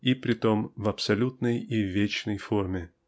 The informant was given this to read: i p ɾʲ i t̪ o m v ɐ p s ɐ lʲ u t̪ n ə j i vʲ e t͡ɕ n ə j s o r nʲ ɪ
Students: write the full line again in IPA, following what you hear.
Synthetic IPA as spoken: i p ɾʲ ɪ t̪ o m v ɐ p s ɐ lʲ u t̪ n ə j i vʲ e t͡ɕ n ə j f o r mʲ ɪ